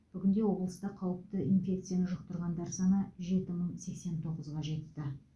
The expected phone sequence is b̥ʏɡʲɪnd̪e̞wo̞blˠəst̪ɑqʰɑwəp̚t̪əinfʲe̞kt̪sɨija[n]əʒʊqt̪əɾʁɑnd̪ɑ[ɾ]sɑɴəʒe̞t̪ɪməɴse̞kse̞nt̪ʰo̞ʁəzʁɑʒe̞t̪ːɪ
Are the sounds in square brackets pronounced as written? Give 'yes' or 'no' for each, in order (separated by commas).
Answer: yes, yes